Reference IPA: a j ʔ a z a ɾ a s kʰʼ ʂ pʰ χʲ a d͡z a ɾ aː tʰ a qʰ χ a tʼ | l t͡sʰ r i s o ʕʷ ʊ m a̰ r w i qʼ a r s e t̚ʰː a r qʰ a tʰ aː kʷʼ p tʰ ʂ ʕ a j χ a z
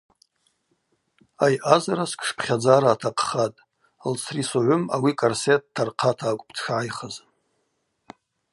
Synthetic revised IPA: a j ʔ a z a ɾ a s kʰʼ ʂ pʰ χʲ a d͡z a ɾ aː tʰ a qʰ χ a tʼ | l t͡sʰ r i s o ʕʷ ʊ m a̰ w i kʼ a r s e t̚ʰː a r qʰ a tʰ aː kʷʼ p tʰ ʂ ʕ a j χ a z